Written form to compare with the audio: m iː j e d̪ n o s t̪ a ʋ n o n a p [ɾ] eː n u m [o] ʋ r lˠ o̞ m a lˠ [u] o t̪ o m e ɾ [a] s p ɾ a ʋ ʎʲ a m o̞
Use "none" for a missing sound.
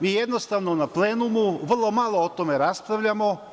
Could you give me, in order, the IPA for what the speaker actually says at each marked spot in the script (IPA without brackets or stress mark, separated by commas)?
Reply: l, u, o, a